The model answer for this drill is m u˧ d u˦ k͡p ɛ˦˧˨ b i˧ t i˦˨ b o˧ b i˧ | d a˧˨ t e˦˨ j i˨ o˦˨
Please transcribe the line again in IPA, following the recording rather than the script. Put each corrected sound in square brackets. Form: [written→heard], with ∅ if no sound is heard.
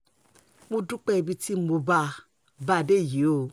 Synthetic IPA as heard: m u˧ d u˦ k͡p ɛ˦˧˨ b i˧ t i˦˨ [b→m] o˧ b [i˧→a˧] | [d→b] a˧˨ [t→d] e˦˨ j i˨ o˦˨